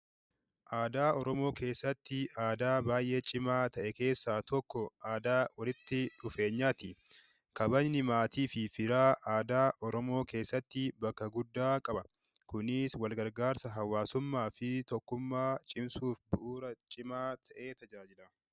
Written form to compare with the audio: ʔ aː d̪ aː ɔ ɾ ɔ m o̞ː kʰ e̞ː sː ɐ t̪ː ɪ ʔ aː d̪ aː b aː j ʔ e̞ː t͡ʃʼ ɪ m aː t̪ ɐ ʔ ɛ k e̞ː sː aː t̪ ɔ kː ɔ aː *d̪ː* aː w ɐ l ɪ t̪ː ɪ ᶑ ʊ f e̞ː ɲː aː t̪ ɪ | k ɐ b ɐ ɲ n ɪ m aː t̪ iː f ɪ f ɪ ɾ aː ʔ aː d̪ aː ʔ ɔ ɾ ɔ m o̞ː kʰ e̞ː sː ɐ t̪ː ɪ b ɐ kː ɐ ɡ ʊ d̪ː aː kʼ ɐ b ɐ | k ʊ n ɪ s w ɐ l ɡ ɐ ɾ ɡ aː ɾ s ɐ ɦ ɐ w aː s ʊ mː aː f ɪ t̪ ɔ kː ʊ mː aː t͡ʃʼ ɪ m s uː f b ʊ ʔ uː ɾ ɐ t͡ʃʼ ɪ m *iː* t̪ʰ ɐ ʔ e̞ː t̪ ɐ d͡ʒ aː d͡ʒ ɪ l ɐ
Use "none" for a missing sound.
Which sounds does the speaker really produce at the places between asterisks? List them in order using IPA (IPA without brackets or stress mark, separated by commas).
d̪, aː